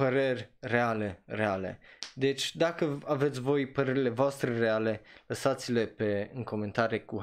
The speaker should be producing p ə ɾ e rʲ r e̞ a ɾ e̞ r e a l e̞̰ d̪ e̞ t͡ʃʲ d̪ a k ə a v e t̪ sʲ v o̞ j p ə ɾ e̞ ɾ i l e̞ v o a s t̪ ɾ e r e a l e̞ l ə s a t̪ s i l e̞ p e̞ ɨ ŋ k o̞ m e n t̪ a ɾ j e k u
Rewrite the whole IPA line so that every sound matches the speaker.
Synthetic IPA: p ə ɾ e rʲ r e̞ a l e̞ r e a l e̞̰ d̪ e̞ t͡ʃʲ d̪ a k ə a v e t̪ sʲ v o̞ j p ə ɾ e̞ ɾ i l e̞ v o a s t̪ ɾ e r e a l e̞ l ə s a t̪ s i l e̞ p e̞ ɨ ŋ k o̞ m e n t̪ a ɾ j e k u